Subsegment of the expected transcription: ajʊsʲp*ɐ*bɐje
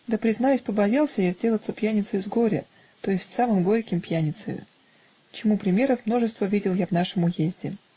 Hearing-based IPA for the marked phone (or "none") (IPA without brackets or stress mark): ə